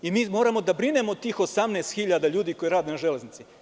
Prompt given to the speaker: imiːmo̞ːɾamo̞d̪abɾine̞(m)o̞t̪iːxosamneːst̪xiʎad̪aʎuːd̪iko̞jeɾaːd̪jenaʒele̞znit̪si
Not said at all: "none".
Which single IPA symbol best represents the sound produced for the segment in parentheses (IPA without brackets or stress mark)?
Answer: m